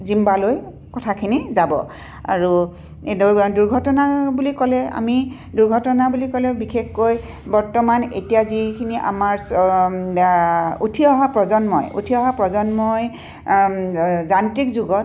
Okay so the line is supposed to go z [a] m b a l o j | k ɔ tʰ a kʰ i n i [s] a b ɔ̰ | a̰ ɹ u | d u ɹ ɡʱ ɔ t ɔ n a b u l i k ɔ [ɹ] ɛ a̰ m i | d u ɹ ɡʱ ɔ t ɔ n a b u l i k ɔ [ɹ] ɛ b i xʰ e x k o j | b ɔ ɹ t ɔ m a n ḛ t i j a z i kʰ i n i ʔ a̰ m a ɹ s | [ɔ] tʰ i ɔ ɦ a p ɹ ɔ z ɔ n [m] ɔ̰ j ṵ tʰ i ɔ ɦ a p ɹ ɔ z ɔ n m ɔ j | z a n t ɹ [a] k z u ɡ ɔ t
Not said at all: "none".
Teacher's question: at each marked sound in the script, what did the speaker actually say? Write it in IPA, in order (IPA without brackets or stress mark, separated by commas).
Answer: i, z, l, l, u, m, i